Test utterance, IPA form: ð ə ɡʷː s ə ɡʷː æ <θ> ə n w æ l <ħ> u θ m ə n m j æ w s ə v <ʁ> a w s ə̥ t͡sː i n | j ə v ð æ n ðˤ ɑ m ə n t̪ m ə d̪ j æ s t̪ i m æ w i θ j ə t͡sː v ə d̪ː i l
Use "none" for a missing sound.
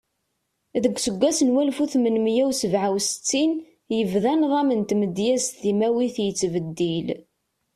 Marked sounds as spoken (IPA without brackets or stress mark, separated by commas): s, f, ʕ